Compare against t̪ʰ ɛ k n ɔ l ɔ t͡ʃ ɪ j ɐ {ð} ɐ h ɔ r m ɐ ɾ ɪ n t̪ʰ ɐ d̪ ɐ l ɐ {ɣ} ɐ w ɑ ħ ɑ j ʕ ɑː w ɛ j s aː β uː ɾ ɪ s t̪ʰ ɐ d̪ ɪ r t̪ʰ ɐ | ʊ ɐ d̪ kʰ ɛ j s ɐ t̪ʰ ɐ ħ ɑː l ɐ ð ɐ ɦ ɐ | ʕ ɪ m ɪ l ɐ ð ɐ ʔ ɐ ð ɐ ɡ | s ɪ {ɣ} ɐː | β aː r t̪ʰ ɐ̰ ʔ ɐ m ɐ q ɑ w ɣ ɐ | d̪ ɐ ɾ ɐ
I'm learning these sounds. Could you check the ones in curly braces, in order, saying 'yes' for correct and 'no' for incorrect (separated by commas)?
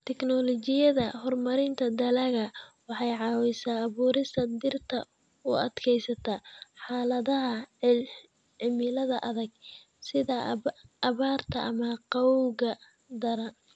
yes, yes, no